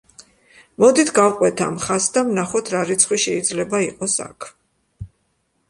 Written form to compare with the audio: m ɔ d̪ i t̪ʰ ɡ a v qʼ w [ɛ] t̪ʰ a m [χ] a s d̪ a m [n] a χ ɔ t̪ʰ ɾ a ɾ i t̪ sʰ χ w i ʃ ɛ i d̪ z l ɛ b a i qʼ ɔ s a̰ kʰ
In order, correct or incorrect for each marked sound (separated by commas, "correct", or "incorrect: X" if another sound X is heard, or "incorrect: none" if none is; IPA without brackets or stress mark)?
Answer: correct, correct, correct